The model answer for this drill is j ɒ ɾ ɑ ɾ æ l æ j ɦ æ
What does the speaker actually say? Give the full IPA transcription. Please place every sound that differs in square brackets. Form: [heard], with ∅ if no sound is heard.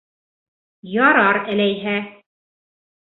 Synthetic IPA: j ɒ ɾ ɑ ɾ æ l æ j ɦ æ